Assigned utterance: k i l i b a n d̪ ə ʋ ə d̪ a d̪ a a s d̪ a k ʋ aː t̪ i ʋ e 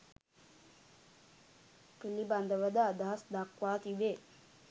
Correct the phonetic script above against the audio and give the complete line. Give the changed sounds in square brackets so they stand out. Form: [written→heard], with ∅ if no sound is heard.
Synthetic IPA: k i l i b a n d̪ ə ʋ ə d̪ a d̪ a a s d̪ a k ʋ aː t̪ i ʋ e